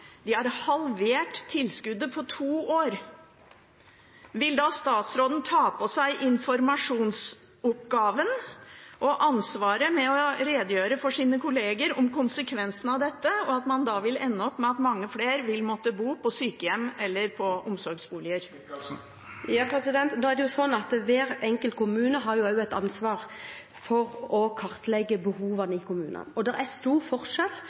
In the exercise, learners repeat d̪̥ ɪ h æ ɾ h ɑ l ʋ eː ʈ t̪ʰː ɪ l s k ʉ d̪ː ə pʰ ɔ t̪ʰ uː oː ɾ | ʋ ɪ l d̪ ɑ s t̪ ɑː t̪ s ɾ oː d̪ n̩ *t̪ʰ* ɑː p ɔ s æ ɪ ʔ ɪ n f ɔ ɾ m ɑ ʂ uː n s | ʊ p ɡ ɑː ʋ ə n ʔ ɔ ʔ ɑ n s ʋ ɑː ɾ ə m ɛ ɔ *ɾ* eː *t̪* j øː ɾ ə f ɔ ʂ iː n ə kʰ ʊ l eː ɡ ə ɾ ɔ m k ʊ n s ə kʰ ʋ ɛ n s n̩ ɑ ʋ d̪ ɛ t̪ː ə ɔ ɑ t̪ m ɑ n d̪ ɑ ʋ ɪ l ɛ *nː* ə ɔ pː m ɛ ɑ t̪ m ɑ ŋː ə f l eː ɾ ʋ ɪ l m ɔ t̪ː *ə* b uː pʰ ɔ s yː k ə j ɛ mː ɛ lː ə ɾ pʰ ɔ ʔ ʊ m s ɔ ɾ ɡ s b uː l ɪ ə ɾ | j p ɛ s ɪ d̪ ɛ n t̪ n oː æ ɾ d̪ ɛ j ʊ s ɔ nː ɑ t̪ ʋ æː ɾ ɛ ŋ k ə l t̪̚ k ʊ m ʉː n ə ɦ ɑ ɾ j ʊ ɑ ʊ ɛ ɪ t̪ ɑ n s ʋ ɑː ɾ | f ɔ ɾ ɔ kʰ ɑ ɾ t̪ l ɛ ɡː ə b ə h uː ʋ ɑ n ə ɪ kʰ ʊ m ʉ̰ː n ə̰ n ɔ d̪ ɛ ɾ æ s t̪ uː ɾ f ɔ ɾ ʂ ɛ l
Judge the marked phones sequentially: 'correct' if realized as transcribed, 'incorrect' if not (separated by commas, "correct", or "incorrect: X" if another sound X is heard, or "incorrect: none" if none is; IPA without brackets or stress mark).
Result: correct, correct, incorrect: d̪, correct, correct